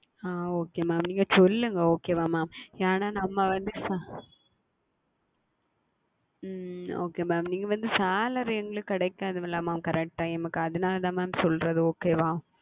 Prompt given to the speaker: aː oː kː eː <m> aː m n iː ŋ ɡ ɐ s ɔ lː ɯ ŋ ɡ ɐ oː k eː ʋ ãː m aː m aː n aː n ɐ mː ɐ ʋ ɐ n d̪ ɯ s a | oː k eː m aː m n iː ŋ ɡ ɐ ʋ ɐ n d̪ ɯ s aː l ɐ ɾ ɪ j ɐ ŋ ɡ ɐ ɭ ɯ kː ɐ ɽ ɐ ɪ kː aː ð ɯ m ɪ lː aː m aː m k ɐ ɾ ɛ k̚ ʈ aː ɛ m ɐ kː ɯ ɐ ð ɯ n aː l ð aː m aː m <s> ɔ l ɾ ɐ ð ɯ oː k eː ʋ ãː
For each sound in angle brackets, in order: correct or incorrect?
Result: correct, correct

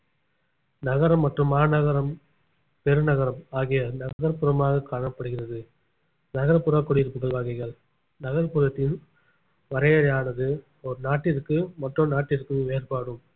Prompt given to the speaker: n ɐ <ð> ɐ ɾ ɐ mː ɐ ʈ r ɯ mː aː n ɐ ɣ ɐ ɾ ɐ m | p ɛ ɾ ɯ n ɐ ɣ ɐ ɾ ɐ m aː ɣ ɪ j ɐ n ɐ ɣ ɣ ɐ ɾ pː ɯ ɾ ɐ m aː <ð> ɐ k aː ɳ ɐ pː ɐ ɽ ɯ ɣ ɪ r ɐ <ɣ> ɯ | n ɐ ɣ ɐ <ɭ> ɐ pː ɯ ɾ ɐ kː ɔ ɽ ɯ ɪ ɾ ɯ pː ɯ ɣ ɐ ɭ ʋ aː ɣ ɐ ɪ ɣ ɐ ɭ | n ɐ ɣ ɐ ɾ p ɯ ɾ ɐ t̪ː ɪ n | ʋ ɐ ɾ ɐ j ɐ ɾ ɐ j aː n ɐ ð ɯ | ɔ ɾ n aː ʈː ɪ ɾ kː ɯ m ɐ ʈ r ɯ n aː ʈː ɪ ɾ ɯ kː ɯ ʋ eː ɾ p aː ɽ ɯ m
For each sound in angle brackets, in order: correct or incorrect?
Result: incorrect, incorrect, incorrect, incorrect

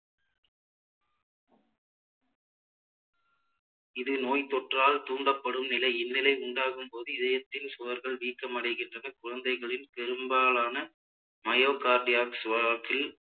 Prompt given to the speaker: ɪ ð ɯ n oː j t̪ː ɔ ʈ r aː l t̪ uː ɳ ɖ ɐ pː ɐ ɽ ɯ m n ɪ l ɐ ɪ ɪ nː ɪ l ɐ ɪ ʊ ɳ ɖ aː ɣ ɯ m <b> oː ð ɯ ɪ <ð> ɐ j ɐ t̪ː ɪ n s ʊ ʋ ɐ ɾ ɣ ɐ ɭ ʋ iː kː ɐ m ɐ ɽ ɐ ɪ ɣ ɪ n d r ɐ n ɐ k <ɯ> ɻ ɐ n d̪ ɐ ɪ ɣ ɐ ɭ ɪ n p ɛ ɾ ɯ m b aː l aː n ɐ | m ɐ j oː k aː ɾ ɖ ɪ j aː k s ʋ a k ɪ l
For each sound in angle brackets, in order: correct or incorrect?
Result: incorrect, correct, incorrect

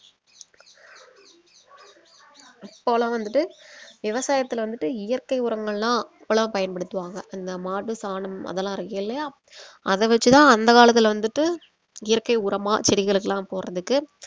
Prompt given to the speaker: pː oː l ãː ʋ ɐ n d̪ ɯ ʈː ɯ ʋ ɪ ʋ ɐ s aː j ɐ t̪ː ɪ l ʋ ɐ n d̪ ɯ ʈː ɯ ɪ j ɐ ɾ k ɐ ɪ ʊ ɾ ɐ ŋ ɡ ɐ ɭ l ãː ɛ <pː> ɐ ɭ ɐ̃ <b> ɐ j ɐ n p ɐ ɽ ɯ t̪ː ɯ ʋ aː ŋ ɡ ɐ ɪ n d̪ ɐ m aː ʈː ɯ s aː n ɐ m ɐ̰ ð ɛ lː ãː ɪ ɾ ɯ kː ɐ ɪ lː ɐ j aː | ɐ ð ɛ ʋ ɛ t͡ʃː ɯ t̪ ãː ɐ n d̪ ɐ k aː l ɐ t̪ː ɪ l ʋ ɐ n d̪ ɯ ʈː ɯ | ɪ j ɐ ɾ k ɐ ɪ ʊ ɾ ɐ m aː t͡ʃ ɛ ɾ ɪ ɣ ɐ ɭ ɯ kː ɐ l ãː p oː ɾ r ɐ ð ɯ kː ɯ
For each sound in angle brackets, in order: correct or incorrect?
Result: correct, incorrect

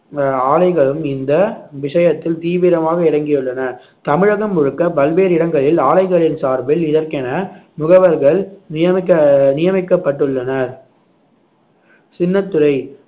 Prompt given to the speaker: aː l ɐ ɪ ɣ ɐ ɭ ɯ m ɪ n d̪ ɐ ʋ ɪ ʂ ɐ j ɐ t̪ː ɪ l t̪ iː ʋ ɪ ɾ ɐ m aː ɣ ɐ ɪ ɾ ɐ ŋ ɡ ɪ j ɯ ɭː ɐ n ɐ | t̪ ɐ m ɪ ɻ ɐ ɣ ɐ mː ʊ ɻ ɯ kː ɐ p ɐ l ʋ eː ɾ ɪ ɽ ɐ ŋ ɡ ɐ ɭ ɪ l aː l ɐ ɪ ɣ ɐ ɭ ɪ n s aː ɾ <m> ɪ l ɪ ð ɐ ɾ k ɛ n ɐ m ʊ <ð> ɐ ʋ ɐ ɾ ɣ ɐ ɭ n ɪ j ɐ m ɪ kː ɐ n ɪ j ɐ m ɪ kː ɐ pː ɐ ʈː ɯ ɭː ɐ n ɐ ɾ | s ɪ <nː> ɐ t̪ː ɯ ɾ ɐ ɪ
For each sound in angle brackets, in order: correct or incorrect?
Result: incorrect, incorrect, correct

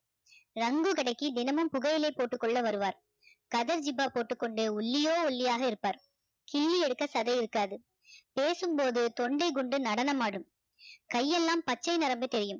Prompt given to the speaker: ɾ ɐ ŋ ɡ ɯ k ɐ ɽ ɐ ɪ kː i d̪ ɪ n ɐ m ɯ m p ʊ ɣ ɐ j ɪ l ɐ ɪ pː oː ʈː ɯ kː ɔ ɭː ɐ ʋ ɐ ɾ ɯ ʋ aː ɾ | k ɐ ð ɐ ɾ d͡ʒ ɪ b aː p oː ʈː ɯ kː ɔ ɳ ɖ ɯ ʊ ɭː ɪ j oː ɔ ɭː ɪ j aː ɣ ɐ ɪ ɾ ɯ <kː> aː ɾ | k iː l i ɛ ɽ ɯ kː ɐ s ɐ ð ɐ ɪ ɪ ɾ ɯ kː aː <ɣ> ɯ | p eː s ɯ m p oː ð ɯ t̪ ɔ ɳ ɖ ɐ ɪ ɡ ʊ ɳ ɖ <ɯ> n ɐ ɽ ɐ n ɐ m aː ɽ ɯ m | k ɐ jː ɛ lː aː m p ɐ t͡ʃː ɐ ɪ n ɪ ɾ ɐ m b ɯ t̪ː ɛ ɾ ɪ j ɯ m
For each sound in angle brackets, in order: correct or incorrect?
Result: incorrect, incorrect, correct

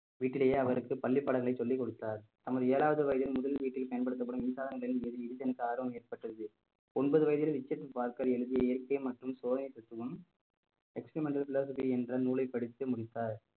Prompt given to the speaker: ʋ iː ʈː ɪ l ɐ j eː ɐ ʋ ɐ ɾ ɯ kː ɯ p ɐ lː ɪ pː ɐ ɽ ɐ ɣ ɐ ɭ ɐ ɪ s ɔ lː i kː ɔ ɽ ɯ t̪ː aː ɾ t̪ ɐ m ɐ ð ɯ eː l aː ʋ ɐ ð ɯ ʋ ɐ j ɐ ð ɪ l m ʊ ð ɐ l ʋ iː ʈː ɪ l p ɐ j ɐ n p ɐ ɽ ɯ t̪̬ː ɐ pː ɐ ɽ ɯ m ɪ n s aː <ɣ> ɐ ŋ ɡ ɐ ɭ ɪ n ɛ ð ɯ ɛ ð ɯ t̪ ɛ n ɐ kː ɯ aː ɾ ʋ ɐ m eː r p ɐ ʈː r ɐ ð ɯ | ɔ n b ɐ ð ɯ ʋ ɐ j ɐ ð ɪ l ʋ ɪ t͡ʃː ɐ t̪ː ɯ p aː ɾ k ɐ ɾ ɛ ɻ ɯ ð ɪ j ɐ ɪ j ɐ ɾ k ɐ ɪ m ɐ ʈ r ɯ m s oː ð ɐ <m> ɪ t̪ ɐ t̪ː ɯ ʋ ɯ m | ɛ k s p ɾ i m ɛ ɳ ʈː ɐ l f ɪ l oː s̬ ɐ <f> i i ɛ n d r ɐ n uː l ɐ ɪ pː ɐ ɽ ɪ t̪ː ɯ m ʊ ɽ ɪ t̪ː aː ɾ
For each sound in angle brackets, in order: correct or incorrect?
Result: incorrect, incorrect, correct

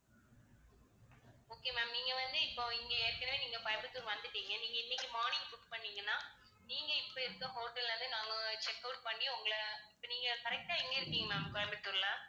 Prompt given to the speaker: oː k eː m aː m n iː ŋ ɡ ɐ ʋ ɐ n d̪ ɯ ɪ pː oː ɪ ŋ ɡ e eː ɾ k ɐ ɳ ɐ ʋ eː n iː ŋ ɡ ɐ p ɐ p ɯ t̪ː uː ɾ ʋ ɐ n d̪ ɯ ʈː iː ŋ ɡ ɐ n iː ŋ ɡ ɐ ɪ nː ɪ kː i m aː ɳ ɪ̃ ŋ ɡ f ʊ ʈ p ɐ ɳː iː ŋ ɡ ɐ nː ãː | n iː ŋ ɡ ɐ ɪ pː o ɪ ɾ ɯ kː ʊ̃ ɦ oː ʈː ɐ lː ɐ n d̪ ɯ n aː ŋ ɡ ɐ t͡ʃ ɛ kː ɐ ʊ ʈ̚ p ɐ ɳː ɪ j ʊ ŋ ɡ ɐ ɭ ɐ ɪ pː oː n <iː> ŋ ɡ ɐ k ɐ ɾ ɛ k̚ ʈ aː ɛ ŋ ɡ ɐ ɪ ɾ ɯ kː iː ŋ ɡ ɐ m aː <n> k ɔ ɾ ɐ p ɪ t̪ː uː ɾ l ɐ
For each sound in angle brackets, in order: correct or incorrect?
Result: correct, incorrect

